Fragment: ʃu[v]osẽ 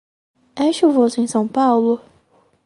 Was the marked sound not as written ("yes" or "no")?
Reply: no